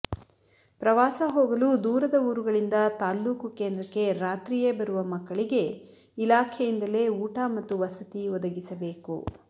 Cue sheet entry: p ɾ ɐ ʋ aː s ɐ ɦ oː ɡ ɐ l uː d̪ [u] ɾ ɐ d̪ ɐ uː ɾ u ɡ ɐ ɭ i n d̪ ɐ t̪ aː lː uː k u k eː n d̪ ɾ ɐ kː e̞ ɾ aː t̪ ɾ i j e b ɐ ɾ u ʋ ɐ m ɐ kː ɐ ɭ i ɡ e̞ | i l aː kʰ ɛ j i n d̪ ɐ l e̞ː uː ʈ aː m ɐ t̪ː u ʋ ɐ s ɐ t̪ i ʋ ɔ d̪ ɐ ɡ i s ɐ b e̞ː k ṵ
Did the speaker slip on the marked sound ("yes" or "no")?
yes